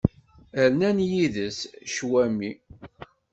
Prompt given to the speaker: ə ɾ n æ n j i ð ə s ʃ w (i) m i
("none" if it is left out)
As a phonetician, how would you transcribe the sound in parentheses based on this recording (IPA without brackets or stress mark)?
æ